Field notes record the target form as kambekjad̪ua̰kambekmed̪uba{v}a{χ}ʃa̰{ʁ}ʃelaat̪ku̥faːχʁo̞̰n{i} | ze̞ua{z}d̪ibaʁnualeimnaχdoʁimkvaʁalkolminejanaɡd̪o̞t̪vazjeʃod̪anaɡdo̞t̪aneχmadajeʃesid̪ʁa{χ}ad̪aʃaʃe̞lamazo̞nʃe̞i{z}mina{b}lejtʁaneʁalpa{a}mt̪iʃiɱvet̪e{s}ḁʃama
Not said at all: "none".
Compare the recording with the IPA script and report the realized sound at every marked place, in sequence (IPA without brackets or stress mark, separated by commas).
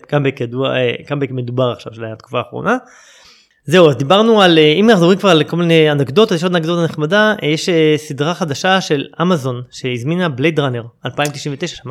ʁ, χ, v, a, z, χ, z, b, i, ʃ